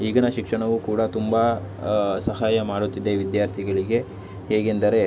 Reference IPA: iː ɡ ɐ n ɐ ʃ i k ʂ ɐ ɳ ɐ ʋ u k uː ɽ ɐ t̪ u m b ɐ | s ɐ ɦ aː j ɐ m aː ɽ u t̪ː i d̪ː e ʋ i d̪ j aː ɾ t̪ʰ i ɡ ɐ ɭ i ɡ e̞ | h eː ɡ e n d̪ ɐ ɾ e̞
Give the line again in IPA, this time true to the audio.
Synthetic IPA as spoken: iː ɡ ɐ n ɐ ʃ i k ʂ ɐ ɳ ɐ ʋ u k uː ɽ ɐ t̪ u m b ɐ | s ɐ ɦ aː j ɐ m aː ɽ u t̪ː i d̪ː e ʋ i d̪ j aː ɾ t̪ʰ i ɡ ɐ ɭ i ɡ e̞ | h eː ɡ e n d̪ ɐ ɾ e̞